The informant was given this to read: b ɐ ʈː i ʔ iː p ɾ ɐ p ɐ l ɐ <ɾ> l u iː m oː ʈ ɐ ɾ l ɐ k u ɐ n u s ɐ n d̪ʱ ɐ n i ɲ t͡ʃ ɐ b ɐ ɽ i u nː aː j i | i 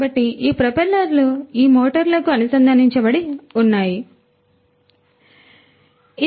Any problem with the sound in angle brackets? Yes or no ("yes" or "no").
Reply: no